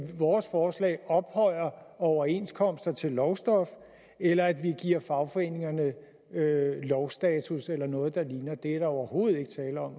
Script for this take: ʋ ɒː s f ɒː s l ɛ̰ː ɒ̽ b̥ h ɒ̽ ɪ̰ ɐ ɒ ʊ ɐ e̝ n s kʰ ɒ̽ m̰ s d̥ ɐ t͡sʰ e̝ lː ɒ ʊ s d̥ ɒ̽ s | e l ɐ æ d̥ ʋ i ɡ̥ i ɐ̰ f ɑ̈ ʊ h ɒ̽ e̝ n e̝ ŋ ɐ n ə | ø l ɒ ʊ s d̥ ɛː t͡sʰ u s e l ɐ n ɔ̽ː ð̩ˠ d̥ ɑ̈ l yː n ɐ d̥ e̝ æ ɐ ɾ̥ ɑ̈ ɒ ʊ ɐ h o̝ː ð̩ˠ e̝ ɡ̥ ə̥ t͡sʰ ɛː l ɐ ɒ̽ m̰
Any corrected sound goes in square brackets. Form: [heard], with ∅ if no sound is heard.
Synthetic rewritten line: ʋ ɒː s f ɒː s l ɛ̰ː ɒ̽ b̥ h ɒ̽ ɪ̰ ɐ ɒ ʊ ɐ e̝ n s kʰ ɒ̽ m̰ s d̥ ɐ t͡sʰ e̝ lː ɒ ʊ s d̥ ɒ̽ [f] | e l ɐ æ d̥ ʋ i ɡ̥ i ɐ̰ f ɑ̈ ʊ [f] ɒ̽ e̝ n e̝ ŋ ɐ n ə | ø l ɒ ʊ s d̥ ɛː t͡sʰ u s e l ɐ n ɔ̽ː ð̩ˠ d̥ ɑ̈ l [iː] n ɐ d̥ e̝ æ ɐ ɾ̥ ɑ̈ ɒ ʊ ɐ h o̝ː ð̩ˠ e̝ ɡ̥ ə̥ t͡sʰ ɛː l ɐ ɒ̽ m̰